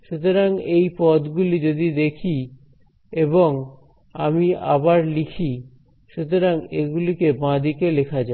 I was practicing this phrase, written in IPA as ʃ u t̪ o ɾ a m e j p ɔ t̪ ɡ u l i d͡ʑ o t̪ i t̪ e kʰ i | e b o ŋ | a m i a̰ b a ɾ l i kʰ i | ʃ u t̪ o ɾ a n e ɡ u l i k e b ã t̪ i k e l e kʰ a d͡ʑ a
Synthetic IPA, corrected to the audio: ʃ u t̪ o ɾ a ŋ e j p ɔ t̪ ɡ u l i d͡ʑ o d̪ i d̪ e kʰ i | e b o ŋ | a m i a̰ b a ɾ l i kʰ i | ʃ u t̪ o ɾ a ŋ e ɡ u l i k e b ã d̪ i k e l e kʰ a d͡ʑ a

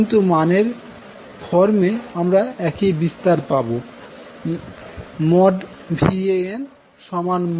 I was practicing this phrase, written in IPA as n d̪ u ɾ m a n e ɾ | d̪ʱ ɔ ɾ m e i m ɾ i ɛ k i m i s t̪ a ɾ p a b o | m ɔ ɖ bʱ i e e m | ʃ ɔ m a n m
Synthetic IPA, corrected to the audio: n t̪ u m a n e ɾ | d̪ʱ ɔ ɾ m e a m ɾ a ɛ k i b i s t̪ a ɾ p a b o | m ɔ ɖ bʱ i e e n | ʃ ɔ m a n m

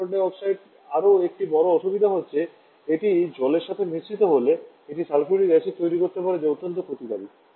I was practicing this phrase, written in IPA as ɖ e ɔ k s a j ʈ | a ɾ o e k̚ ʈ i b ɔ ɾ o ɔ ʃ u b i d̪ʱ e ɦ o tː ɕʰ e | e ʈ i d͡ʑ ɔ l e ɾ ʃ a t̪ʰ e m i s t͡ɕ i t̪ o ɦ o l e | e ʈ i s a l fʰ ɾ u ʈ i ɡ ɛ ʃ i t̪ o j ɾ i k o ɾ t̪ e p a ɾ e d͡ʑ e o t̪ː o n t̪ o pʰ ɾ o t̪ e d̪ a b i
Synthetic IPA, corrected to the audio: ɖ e ɔ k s a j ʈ | a ɾ o e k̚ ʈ i b ɔ ɾ o ɔ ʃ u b i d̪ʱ a ɦ o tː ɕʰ e | e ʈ i d͡ʑ ɔ l e ɾ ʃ a t̪ʰ e m i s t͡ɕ i t̪ o ɦ o l e | e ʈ i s a l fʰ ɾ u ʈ i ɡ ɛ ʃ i t̪ o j ɾ i k o ɾ t̪ e p a ɾ e d͡ʑ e o t̪ː o n t̪ o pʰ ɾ o t̪ i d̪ a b i

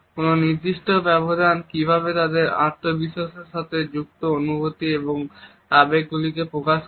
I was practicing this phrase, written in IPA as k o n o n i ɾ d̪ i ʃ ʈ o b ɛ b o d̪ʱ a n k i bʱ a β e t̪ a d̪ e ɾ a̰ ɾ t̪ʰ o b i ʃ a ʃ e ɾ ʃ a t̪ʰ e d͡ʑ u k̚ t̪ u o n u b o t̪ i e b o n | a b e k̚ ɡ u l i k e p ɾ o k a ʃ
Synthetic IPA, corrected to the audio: k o n o n i ɾ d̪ i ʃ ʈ o b ɛ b o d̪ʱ a n k i bʱ a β e t̪ a d̪ e ɾ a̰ ɾ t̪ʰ o b i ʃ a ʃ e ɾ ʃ a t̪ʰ e d͡ʑ u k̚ t̪ o o n u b o t̪ i e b o ŋ | a b e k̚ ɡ u l i k e p ɾ o k a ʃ

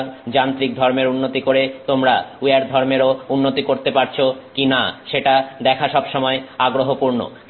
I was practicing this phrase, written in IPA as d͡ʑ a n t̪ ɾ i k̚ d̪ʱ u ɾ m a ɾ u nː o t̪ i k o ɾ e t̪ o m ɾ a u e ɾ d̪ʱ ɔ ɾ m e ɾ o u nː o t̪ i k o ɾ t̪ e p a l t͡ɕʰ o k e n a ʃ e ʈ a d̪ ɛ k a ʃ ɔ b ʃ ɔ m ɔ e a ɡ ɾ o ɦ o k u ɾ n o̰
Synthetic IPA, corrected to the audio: d͡ʑ a n t̪ ɾ i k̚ d̪ʱ ɔ ɾ m e ɾ u nː o t̪ i k o ɾ e t̪ o m ɾ a u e ɾ d̪ʱ ɔ ɾ m e ɾ o u nː o t̪ i k o ɾ t̪ e p a ɾ t͡ɕʰ o k i n a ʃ e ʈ a d̪ ɛ kʰ a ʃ ɔ b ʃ ɔ m ɔ e a ɡ ɾ o ɦ o p u ɾ n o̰

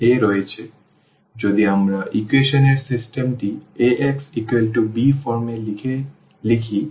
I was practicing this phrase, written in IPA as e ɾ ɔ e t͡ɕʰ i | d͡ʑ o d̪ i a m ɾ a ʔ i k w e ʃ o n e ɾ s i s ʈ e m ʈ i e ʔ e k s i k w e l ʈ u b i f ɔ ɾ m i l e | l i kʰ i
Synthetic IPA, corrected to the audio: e ɾ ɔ e t͡ɕʰ e | d͡ʑ o d̪ i a m ɾ a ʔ i k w e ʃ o n e ɾ s i s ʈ e m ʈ i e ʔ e k s i k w e l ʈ u b i f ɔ ɾ m e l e | l i kʰ i

